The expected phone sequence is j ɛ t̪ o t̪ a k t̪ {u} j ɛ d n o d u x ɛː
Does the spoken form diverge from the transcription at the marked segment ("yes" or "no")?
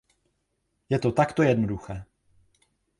yes